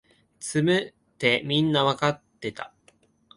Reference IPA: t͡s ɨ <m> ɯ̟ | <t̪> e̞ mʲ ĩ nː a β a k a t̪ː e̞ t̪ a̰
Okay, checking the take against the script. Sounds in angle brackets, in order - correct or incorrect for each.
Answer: correct, correct

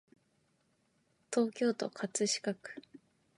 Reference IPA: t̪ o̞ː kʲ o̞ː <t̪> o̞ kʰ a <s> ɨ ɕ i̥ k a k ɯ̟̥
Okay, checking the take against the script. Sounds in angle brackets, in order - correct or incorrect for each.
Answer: correct, incorrect: t͡s

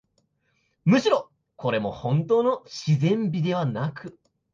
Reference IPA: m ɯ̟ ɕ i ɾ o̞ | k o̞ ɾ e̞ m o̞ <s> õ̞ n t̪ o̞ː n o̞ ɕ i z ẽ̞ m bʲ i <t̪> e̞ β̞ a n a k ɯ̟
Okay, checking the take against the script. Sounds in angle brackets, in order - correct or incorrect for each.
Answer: incorrect: h, incorrect: d̪

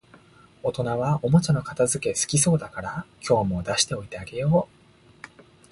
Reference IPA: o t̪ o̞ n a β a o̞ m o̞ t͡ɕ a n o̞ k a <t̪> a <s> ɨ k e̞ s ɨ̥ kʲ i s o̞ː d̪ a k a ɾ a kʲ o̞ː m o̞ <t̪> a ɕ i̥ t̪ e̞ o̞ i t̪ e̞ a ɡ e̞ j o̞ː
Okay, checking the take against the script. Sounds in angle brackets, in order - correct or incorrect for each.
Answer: correct, incorrect: z, incorrect: d̪

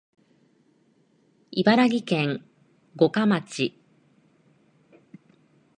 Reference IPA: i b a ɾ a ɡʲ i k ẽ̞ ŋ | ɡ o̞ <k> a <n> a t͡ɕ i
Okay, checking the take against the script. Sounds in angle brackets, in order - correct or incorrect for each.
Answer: correct, incorrect: m

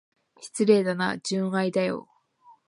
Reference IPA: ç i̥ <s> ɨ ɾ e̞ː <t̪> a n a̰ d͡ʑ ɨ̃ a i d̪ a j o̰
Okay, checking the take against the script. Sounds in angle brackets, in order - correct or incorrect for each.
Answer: incorrect: t͡s, incorrect: d̪

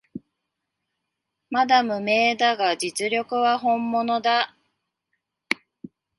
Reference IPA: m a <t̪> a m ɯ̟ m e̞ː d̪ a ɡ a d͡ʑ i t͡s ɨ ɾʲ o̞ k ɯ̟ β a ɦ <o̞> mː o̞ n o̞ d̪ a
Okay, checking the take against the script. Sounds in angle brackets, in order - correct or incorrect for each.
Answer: incorrect: d̪, incorrect: õ̞

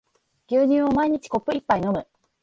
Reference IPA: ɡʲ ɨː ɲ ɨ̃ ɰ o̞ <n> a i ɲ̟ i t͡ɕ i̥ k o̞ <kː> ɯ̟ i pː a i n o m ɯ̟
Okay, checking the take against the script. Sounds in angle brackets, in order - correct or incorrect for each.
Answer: incorrect: m, incorrect: pː

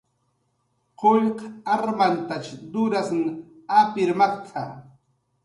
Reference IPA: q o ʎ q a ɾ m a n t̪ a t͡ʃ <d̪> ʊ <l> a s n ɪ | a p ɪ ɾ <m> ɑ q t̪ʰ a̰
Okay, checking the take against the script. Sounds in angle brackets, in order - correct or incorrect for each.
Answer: correct, incorrect: ɾ, correct

